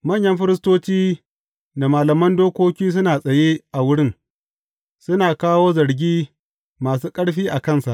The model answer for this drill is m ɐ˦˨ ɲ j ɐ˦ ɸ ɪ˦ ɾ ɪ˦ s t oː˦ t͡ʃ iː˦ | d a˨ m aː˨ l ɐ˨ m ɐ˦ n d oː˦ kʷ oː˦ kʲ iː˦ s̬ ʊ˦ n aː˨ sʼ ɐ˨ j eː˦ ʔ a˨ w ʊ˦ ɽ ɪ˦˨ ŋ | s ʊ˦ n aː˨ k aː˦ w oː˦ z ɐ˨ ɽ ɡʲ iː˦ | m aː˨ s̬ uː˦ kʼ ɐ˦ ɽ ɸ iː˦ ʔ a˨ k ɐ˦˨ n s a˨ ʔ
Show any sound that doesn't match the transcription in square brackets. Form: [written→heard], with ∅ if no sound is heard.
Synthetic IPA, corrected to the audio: m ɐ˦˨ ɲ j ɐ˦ ɸ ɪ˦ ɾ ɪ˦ s t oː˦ t͡ʃ iː˦ | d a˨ m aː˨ l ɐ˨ m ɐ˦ n d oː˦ kʷ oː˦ kʲ iː˦ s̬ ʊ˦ n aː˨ sʼ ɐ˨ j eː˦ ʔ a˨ w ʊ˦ ɽ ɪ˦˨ ŋ | s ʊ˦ n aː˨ k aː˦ w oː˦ z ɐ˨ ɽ ɡʲ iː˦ | m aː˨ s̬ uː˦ kʼ ɐ˦ ɽ ɸ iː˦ ʔ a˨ k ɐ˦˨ n s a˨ ʔ